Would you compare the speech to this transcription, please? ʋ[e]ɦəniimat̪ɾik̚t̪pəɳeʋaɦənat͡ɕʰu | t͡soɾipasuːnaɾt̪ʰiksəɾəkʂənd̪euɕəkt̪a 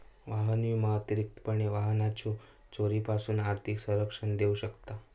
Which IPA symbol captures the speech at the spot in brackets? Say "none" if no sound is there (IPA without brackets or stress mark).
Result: a